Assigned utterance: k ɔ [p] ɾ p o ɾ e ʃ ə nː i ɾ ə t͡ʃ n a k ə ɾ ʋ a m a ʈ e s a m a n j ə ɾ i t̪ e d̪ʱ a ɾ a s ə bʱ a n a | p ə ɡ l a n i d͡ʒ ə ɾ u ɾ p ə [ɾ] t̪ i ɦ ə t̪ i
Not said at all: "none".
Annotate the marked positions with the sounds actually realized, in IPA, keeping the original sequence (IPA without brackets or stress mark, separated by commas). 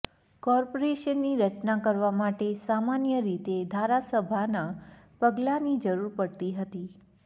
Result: none, ɽ